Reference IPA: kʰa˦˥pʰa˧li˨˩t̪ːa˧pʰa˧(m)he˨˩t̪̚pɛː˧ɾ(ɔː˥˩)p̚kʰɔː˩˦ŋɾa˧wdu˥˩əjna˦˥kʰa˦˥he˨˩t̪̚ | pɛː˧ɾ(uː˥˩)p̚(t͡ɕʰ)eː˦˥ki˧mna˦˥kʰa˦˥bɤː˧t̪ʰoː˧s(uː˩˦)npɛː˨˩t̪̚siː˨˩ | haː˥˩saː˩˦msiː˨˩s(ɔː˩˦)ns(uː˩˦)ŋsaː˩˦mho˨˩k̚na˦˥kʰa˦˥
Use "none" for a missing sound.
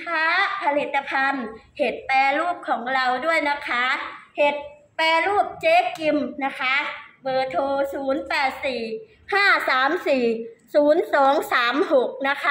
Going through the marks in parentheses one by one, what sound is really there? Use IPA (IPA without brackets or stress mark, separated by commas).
n, uː˥˩, uː˥˩, t͡ɕ, uː˩˦, uː˩˦, ɔː˩˦